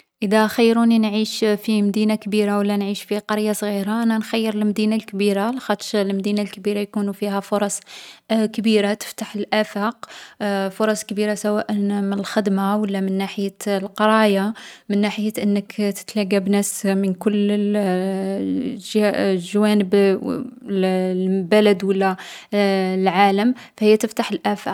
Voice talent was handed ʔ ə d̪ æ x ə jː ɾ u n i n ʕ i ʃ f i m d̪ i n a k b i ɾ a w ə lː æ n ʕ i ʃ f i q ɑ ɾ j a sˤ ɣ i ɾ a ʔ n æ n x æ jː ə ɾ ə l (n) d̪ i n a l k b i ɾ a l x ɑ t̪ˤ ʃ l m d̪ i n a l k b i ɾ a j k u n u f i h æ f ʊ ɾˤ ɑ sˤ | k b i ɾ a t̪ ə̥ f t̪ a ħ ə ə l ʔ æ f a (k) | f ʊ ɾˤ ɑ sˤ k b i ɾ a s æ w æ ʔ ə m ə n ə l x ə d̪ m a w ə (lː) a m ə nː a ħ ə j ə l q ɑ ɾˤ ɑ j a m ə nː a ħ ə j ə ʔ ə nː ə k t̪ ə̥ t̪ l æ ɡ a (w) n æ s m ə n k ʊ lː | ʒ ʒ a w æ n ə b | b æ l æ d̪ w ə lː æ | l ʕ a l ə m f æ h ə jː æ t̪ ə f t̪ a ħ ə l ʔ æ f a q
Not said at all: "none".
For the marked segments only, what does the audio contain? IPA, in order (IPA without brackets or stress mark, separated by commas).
m, q, lː, b